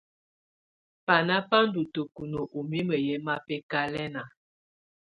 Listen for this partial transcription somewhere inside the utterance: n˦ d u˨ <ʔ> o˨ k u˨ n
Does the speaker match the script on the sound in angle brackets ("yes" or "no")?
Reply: no